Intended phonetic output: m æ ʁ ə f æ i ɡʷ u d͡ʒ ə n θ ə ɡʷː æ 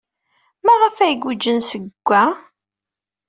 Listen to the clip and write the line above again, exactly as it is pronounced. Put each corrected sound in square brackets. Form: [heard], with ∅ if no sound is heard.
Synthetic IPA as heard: m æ ʁ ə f æ [j] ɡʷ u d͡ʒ ə n [s] ə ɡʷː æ